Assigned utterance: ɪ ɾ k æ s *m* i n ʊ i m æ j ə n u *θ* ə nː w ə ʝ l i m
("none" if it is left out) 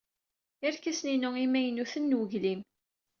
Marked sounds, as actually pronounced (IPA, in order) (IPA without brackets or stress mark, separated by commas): n, θ